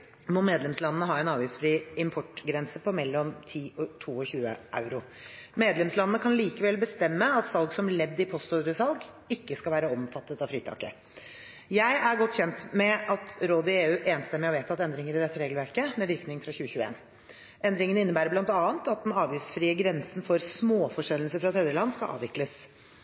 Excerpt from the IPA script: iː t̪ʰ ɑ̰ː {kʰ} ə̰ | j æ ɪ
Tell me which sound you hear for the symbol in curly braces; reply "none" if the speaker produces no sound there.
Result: k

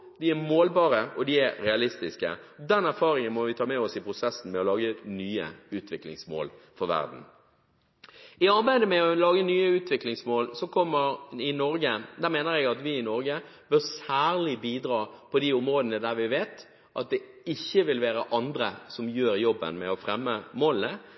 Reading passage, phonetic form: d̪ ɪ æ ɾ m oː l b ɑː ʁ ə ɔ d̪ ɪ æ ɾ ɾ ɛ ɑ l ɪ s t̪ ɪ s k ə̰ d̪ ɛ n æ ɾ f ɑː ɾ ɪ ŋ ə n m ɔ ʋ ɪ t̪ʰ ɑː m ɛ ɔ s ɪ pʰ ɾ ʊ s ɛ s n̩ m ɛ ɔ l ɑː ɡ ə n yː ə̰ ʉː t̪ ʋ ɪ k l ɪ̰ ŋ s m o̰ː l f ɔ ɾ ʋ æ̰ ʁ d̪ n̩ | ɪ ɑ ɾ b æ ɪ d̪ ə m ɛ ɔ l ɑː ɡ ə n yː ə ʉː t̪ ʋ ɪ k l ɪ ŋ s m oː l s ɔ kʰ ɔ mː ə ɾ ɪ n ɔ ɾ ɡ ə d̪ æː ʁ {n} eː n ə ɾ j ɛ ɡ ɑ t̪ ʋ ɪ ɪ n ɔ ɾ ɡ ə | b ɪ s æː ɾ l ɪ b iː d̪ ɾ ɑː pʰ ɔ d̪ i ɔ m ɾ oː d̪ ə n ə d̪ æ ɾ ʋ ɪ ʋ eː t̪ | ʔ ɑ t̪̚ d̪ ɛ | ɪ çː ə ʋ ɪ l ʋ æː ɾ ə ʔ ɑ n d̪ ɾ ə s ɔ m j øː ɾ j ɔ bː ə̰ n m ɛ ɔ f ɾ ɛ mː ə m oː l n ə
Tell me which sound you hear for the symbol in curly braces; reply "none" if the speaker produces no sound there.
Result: m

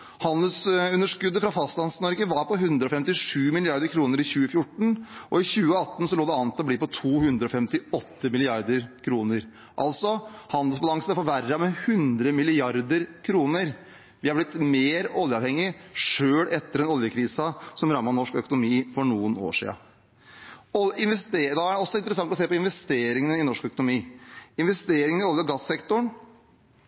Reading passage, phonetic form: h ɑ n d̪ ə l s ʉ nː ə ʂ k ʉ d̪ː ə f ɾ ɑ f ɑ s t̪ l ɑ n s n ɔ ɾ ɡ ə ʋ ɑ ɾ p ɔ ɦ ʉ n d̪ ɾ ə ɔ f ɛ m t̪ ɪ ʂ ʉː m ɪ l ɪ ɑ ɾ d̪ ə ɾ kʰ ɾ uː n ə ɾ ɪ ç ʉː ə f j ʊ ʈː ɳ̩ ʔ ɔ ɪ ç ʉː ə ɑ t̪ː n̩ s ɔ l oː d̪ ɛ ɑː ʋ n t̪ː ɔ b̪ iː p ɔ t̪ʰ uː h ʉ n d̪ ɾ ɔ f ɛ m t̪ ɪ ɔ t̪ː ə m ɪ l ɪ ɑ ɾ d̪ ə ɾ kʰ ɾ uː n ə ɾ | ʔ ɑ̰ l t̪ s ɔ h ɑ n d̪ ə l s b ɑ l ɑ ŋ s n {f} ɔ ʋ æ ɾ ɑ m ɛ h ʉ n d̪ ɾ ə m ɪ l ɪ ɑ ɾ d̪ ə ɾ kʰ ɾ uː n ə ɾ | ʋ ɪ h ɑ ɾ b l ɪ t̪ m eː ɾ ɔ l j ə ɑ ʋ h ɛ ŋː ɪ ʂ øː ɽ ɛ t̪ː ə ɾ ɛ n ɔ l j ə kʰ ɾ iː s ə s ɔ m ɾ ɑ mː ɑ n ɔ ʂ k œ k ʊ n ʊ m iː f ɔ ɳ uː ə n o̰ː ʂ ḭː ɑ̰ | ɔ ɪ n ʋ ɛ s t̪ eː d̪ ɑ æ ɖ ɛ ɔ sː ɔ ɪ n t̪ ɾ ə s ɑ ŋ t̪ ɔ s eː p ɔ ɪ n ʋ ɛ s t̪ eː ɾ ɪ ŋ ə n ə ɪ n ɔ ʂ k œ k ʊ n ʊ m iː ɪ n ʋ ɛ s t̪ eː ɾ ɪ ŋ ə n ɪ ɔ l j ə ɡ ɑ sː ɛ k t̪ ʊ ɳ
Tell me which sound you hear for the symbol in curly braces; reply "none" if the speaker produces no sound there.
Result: f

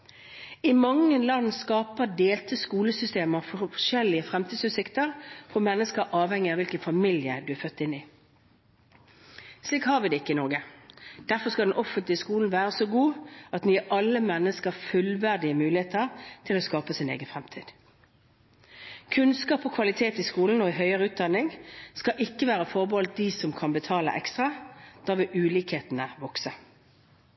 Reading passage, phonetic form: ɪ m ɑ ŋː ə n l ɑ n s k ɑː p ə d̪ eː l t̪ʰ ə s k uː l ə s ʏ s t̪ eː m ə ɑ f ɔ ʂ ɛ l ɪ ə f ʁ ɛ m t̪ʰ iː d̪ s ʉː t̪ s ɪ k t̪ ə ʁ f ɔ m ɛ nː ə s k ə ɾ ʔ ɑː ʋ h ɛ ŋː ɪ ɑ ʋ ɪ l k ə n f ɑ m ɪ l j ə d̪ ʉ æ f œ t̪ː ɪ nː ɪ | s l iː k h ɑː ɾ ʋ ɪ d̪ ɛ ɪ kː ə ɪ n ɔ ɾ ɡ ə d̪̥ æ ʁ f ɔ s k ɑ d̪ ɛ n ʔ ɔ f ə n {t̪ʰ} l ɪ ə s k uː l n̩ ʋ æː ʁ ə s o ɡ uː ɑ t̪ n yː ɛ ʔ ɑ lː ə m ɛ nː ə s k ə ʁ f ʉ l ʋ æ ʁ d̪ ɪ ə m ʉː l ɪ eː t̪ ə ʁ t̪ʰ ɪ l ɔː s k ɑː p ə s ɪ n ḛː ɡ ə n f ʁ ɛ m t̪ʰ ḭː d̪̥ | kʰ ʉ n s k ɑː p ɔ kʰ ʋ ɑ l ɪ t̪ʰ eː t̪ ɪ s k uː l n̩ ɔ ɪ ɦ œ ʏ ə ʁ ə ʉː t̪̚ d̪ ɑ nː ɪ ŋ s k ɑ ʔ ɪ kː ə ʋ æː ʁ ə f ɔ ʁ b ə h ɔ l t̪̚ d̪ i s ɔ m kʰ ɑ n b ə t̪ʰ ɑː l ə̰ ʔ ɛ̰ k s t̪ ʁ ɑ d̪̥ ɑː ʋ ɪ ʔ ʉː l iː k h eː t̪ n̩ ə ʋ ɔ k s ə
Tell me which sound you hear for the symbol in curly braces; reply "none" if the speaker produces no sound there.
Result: t̪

